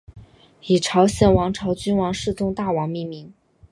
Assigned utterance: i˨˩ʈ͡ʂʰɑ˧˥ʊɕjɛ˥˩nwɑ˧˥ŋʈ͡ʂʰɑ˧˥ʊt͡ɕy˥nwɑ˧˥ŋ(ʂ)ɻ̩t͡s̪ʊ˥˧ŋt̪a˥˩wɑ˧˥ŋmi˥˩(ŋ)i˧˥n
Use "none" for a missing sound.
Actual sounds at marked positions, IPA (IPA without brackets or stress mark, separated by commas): ʂ, m